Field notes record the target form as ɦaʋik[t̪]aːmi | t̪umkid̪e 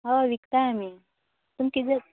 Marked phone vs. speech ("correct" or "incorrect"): correct